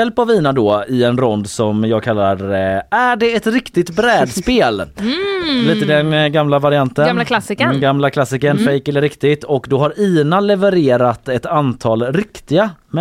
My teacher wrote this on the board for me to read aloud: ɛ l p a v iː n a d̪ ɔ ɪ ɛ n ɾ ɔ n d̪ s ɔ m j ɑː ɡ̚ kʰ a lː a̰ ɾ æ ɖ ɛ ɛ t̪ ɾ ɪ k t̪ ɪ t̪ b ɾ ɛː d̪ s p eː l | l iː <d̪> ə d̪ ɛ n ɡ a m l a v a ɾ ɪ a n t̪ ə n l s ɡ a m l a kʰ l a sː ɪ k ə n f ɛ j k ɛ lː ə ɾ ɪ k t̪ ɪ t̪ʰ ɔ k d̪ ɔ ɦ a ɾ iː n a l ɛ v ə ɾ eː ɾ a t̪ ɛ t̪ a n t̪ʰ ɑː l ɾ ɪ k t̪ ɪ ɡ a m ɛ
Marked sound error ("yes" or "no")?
yes